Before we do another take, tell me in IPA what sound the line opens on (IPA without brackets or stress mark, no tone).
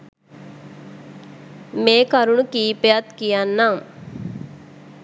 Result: m